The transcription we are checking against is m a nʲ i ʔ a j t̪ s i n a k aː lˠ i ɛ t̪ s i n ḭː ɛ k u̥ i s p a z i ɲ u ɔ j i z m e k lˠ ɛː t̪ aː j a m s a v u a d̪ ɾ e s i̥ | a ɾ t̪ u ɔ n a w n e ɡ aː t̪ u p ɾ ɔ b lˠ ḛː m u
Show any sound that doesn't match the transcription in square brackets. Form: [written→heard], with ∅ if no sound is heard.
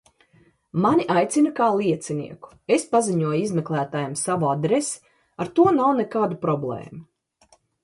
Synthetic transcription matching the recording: m a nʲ i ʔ a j t̪ s i n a k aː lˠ i ɛ t̪ s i n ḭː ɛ k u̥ [i→e] s p a z i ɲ u ɔ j i z m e k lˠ [ɛː→æː] t̪ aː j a m s a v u a d̪ ɾ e s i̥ | a ɾ t̪ u ɔ n a w n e [ɡ→k] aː [t̪→d̪] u p ɾ ɔ b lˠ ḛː m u